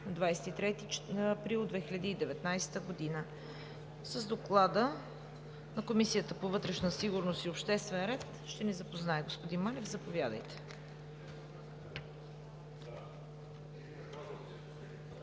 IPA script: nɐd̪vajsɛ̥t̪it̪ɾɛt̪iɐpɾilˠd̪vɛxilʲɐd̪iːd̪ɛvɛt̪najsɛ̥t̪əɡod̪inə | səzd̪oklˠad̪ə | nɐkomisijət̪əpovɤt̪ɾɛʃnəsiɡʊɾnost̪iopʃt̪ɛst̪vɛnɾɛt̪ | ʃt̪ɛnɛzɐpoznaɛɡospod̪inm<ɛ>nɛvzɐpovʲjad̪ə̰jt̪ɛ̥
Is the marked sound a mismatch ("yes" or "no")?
yes